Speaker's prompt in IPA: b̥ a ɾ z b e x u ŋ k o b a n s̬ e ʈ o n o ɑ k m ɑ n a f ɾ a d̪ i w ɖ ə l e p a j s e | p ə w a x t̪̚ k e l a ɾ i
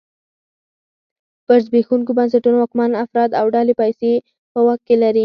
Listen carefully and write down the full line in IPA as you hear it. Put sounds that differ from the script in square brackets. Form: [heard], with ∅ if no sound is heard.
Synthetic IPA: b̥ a ɾ z b e x u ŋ k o b a n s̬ [a] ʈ [u] n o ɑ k m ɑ n a f ɾ [ɑ] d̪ [a] w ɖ [ɑ] l e p a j s e | p ə w a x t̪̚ k e l a ɾ i